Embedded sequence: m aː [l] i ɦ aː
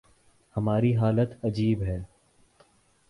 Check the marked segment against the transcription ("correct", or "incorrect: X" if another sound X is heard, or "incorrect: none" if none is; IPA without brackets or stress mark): incorrect: ɾ